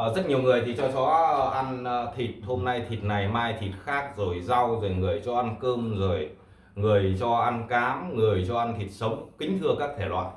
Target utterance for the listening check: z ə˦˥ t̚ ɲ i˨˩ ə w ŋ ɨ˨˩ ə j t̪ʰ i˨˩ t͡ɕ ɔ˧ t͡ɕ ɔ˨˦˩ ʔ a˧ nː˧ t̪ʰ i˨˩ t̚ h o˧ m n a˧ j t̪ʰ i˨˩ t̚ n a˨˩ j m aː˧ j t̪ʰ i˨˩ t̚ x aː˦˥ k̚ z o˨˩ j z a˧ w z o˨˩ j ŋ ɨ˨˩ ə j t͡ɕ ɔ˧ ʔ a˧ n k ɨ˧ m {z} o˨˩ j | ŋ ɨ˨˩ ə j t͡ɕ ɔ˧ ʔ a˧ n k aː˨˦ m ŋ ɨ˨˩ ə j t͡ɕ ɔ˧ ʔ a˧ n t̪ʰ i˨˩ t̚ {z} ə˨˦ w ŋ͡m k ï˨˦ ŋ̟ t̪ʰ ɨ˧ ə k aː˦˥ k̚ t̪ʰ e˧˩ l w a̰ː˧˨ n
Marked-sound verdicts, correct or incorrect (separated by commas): correct, incorrect